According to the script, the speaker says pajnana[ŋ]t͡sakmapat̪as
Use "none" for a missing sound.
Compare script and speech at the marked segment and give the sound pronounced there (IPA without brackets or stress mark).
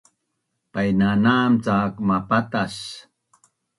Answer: m